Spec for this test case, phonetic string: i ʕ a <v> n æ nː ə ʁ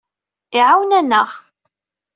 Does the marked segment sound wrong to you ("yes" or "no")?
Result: yes